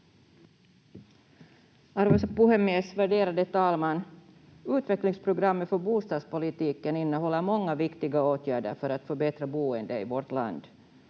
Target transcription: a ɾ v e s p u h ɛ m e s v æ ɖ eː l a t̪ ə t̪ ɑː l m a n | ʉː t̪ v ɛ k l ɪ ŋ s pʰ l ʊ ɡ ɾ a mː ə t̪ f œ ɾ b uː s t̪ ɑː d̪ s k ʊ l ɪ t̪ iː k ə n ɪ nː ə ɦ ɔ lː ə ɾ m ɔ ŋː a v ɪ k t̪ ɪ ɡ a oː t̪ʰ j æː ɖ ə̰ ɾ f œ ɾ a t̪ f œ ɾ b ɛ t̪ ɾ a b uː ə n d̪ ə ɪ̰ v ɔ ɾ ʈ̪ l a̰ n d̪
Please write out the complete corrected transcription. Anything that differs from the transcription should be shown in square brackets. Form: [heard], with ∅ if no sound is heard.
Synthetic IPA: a ɾ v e s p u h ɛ m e s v æ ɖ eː [ɾ] a [d̪] ə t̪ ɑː l m a n | ʉː t̪ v ɛ k l ɪ ŋ s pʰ [ɾ] ʊ ɡ ɾ a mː ə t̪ f œ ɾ b uː s t̪ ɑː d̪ s [p] ʊ l ɪ t̪ iː k ə n ɪ nː ə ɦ ɔ lː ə ɾ m ɔ ŋː a v ɪ k t̪ ɪ ɡ a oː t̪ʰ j æː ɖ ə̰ ɾ f œ ɾ a t̪ f œ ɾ b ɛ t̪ ɾ a b uː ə n d̪ ə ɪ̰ v ɔ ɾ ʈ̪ l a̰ n d̪